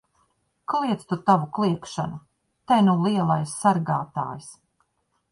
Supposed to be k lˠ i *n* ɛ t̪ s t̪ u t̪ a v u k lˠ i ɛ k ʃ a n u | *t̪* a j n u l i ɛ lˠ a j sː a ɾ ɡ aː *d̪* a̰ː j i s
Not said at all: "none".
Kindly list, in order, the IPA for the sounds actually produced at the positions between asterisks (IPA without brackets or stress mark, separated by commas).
none, t̪, t̪